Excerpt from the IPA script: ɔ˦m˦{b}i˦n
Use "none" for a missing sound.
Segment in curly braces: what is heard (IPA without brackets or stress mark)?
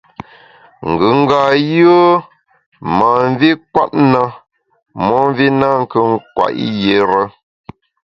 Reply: v